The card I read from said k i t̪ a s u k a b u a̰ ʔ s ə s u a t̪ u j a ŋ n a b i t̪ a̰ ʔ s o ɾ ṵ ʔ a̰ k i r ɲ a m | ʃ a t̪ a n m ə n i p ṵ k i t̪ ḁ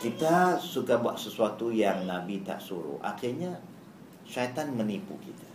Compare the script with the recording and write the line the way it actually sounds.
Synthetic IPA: k i t̪ a s u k a b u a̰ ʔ s ə s u a t̪ u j a ŋ n a b i t̪ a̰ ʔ s u ɾ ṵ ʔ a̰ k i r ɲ a | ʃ a t̪ a n m ə n i p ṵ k i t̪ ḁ